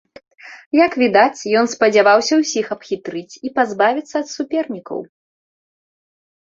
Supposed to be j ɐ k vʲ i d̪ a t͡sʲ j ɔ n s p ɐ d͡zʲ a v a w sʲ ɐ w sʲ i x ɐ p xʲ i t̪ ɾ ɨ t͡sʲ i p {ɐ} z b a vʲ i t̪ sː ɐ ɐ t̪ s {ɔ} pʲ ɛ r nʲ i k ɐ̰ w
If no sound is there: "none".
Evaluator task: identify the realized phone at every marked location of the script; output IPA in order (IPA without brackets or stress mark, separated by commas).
a, u